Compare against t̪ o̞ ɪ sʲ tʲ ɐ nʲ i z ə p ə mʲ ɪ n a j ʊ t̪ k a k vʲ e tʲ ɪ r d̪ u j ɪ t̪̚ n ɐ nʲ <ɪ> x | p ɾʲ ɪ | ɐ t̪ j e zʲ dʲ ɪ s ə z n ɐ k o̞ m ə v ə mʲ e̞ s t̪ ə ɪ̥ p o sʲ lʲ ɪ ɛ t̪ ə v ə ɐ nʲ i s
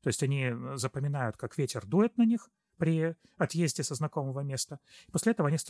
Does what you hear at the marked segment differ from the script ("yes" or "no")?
yes